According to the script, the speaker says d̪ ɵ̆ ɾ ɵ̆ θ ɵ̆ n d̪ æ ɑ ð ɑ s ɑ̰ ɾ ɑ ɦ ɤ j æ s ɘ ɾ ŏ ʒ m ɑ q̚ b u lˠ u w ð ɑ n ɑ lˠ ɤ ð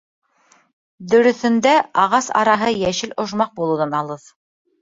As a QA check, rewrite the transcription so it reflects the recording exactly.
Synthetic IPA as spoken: d̪ ɵ̆ ɾ ɵ̆ θ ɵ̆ n d̪ æ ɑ ʁ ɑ s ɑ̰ ɾ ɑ ɦ ɤ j æ ʃ ɘ l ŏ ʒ m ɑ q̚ b u lˠ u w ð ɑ n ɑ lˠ ɤ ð